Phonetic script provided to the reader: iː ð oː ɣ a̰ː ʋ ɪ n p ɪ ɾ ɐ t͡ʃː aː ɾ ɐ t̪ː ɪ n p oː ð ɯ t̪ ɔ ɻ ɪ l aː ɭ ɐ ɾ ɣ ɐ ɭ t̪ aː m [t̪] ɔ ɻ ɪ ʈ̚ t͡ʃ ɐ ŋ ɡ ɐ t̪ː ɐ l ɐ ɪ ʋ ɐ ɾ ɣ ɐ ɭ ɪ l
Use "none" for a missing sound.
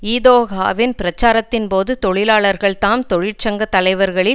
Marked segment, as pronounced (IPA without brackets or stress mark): t̪